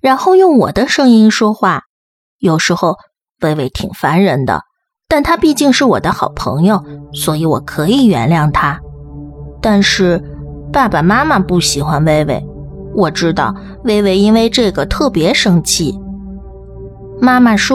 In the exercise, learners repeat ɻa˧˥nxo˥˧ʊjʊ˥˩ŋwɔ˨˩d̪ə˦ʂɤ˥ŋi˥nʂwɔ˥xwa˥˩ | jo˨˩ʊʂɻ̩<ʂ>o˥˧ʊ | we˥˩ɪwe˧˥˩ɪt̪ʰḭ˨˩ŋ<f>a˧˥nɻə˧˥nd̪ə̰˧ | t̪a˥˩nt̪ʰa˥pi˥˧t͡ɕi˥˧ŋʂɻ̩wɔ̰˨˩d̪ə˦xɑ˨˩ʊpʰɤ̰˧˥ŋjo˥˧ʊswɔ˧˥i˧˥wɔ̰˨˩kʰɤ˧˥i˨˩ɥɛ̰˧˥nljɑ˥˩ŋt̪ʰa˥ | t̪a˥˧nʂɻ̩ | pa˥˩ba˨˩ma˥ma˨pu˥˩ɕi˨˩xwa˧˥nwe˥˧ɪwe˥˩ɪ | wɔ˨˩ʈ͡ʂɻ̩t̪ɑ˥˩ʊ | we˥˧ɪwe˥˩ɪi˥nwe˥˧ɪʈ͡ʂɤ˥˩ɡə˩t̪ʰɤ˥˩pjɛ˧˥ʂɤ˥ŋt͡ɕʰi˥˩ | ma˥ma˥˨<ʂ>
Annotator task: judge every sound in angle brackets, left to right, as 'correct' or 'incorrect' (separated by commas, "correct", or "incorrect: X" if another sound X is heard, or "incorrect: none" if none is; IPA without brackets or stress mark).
incorrect: x, correct, correct